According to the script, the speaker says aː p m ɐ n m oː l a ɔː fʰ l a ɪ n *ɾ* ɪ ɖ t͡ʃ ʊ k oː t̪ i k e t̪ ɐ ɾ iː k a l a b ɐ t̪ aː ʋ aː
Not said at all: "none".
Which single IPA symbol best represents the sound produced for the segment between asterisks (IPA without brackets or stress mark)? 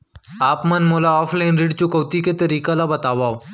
ɾ